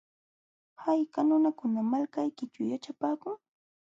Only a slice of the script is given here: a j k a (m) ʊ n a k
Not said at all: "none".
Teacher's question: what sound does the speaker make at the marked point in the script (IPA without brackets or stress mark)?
n